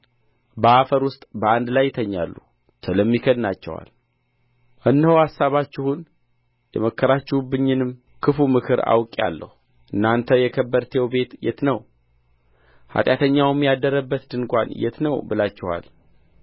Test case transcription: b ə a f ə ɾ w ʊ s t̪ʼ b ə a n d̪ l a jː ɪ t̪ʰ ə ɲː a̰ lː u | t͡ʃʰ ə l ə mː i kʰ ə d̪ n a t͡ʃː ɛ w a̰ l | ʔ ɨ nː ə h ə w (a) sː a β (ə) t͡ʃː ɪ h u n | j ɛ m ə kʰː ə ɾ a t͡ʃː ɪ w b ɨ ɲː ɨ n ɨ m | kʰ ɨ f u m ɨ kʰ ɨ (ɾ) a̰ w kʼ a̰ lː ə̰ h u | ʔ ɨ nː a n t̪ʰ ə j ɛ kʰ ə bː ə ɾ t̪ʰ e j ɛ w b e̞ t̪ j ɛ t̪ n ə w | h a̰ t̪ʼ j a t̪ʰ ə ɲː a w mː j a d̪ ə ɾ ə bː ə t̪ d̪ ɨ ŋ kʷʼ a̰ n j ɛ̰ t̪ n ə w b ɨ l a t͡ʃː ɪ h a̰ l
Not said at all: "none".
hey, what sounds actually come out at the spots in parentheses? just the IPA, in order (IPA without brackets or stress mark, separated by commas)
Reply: a, a, ɾ